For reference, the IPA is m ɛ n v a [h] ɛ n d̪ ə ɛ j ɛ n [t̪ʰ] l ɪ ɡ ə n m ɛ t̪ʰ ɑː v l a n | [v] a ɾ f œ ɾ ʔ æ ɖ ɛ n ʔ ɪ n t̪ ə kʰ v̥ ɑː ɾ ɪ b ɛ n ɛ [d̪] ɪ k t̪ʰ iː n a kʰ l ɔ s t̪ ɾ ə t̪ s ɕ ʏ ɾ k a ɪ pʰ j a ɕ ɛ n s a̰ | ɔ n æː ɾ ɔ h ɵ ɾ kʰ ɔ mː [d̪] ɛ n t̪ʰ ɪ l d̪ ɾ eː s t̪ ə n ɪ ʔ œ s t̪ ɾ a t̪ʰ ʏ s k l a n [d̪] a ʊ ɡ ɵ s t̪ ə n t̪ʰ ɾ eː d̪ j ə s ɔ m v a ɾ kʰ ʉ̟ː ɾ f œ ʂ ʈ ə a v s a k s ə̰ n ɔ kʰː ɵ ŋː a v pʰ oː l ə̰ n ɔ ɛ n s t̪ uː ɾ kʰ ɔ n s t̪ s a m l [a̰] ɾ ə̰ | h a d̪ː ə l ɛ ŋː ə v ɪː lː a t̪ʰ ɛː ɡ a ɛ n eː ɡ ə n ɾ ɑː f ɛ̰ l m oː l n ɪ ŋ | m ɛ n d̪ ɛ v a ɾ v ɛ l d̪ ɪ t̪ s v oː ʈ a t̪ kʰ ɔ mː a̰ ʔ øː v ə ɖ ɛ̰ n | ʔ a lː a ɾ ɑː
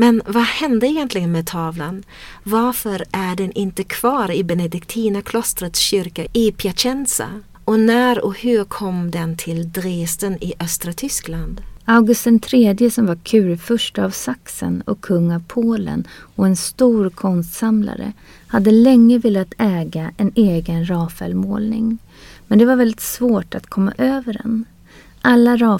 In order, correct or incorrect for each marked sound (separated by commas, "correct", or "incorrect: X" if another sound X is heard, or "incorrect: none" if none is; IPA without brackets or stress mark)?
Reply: correct, incorrect: t̪, correct, correct, correct, correct, correct